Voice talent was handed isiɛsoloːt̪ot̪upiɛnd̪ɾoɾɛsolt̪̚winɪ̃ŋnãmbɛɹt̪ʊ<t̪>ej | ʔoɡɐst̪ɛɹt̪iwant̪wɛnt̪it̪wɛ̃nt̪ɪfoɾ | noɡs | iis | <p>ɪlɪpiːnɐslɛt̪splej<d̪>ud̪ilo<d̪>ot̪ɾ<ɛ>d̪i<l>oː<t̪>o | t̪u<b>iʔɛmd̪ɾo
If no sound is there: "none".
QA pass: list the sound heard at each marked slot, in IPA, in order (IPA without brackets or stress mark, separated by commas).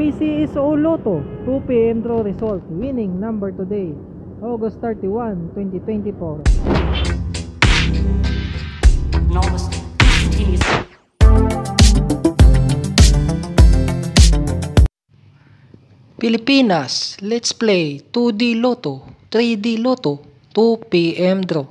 d̪, p, t̪, t̪, i, l, t̪, p